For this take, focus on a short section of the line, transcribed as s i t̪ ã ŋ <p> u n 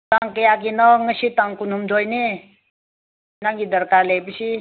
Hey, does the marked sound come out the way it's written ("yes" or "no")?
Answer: no